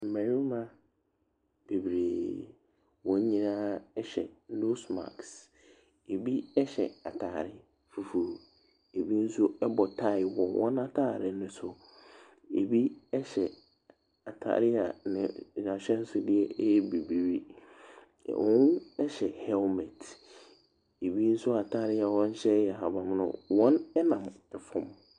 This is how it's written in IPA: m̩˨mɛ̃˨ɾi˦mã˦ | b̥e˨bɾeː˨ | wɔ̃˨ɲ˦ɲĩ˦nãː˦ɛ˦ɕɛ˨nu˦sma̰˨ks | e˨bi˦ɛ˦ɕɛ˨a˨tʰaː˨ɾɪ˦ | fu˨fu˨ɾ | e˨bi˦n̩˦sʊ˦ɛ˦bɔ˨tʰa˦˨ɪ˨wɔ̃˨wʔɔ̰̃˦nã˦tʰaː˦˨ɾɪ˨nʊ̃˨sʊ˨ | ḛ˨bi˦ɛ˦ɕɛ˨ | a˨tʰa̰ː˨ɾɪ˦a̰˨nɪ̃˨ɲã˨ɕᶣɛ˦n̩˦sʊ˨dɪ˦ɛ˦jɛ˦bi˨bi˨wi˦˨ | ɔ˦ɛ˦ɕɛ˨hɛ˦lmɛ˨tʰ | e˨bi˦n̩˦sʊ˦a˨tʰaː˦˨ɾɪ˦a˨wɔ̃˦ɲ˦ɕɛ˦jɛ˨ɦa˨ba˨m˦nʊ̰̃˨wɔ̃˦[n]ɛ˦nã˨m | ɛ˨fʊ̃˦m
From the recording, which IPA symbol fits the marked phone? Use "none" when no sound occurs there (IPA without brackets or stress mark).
n